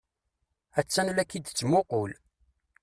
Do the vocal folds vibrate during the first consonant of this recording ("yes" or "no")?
no